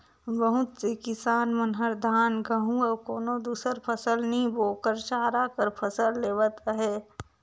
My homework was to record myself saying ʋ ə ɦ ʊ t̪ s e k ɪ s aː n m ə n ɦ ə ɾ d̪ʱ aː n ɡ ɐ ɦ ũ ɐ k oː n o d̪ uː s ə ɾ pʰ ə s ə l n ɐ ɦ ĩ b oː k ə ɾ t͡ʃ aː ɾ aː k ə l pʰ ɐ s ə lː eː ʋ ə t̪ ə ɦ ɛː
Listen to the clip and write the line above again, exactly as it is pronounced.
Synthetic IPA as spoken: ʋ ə ɦ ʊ t̪ s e k ɪ s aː n m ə n ɦ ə ɾ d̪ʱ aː n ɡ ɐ ɦ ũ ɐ k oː n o d̪ uː s ə ɾ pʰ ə s ə l n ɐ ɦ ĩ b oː k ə ɾ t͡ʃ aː ɾ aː k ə ɾ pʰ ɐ s ə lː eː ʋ ə t̪ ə ɦ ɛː